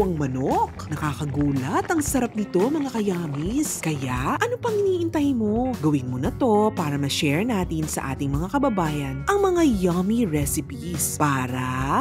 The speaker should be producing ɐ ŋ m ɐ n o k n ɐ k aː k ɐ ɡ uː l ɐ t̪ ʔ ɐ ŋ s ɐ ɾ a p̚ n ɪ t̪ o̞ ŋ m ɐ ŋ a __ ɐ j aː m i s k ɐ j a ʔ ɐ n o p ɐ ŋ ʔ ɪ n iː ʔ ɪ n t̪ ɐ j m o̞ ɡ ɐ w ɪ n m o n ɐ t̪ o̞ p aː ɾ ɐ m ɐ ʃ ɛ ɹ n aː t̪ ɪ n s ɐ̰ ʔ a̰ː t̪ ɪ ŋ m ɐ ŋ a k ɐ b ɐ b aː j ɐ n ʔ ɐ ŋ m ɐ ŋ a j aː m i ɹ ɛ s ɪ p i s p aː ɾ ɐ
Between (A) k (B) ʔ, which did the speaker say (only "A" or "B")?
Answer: A